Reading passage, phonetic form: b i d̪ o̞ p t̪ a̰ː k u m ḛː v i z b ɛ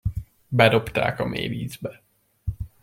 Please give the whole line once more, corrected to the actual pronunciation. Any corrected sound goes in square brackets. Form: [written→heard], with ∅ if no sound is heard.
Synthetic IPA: b [i→ɛ] d̪ o̞ p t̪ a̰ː k [u→ɒ] m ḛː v [i→iː] z b ɛ

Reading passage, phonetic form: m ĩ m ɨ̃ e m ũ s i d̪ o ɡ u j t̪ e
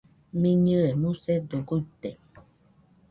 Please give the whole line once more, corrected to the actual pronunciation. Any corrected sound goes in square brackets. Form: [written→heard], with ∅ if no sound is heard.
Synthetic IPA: m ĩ [m→ɲ] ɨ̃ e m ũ s [i→e] d̪ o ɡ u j t̪ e

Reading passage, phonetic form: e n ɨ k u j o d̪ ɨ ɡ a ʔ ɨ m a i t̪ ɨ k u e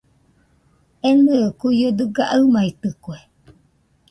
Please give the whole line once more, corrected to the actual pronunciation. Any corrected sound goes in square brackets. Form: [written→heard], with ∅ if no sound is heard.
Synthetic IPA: e n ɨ k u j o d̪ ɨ ɡ a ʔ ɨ m a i t̪ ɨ k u e

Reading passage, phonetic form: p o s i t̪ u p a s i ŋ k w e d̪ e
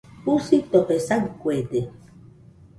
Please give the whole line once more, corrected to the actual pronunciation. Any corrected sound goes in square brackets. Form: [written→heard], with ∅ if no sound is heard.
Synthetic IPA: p [o→u] s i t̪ [u→o] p [a→e] s [i→a] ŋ k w e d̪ e

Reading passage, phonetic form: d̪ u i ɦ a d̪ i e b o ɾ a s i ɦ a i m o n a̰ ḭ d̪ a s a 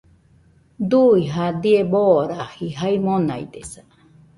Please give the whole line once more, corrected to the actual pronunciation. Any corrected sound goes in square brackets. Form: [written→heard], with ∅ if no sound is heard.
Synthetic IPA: d̪ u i ɦ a d̪ i e b o ɾ a [s→h] i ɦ a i m o n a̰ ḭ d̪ [a→e] s a

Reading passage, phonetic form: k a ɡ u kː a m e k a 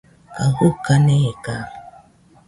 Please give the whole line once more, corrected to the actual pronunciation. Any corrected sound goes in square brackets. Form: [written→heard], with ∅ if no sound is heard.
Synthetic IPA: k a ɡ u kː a [m→n] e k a

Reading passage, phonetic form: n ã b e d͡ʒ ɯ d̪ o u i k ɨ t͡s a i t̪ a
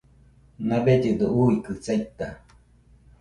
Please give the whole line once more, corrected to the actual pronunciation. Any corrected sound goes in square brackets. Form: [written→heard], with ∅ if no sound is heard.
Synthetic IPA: n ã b e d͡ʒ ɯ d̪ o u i k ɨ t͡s a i t̪ a

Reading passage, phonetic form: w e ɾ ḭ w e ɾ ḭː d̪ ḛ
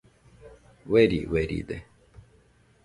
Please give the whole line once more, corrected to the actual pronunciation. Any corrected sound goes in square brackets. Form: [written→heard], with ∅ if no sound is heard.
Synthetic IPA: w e ɾ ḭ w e ɾ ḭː d̪ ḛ

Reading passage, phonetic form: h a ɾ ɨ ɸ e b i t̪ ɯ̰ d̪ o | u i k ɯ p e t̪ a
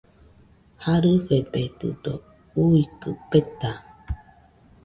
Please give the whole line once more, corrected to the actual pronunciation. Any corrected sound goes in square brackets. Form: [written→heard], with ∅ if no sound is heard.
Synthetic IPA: h a ɾ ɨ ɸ e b [i→e] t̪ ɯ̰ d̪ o | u i k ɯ p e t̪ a

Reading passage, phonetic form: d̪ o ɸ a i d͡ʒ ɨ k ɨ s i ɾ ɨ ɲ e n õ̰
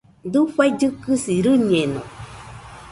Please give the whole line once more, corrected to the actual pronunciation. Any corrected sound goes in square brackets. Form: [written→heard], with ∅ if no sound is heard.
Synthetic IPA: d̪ [o→u] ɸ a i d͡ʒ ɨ k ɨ s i ɾ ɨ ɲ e n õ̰

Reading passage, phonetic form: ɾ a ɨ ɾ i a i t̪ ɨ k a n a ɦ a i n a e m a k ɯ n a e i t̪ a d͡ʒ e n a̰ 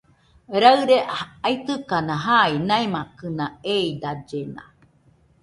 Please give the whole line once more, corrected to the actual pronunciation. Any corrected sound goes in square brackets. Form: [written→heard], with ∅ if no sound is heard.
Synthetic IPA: ɾ a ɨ ɾ [i→e] a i t̪ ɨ k a n a ɦ a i n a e m a k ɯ n a e i [t̪→d̪] a d͡ʒ e n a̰

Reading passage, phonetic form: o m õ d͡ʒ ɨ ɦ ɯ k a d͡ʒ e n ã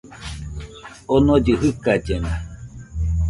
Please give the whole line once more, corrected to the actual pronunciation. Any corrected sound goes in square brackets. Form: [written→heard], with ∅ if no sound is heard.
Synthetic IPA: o [m→n] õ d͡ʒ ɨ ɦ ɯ k a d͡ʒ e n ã

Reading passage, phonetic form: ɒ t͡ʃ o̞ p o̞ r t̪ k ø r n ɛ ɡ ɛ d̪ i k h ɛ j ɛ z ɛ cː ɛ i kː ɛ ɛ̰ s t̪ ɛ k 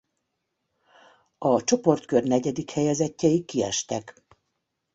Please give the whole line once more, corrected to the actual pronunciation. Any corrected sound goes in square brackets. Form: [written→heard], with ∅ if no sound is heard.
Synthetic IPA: ɒ t͡ʃ o̞ p o̞ r t̪ k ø r n ɛ [ɡ→ɟ] ɛ d̪ i k h ɛ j ɛ z ɛ cː ɛ i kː [ɛ→i] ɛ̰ [s→ʃ] t̪ ɛ k

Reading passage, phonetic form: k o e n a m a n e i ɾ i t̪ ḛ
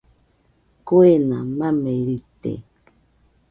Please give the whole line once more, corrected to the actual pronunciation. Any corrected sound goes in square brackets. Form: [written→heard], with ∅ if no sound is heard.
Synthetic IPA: k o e n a m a [n→m] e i ɾ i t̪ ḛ

